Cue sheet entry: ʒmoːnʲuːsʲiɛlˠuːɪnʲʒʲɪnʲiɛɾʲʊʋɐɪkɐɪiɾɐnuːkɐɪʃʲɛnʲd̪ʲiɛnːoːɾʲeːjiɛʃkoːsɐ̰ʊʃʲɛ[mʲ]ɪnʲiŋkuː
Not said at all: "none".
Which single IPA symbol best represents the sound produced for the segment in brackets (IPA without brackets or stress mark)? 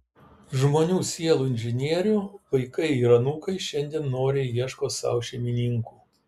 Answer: mʲ